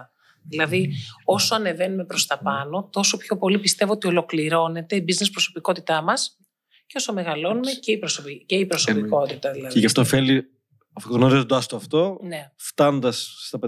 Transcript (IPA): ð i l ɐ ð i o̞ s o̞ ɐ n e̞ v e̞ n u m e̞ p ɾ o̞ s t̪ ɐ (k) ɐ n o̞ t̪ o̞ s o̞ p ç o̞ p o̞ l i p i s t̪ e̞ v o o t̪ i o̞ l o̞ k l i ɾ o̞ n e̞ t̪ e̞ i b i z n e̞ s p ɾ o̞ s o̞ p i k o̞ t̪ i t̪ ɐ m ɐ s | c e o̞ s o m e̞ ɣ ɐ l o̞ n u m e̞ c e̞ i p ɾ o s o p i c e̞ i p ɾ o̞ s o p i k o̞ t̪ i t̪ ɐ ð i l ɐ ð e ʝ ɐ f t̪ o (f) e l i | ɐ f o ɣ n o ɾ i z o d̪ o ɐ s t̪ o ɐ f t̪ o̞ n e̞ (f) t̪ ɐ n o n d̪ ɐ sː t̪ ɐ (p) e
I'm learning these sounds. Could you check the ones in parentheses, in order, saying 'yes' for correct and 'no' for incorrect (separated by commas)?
no, yes, yes, yes